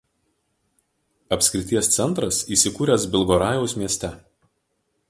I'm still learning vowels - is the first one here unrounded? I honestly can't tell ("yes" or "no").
yes